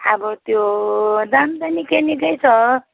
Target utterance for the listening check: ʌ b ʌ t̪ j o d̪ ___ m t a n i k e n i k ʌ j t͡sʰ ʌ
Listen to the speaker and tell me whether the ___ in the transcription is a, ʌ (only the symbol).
a